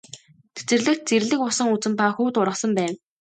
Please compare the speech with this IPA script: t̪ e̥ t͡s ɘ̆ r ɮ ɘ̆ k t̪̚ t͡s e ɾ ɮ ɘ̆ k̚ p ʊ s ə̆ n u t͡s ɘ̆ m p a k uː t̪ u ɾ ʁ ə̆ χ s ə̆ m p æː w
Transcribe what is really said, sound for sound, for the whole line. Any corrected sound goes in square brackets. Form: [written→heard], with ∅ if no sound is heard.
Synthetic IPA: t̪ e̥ t͡s ɘ̆ r ɮ ɘ̆ k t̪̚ t͡s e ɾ ɮ ɘ̆ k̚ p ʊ s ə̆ [n→ŋ] u t͡s ɘ̆ m p a [k→x] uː t̪ [u→ʊ] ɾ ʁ ə̆ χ s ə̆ m p æː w